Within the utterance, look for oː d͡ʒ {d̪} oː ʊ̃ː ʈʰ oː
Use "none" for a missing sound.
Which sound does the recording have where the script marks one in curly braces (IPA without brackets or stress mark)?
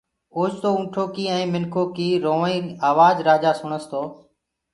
t̪